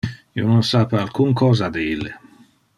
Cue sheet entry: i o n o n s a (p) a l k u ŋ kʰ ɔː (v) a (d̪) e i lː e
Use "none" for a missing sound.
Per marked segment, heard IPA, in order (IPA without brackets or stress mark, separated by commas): p, z, d̪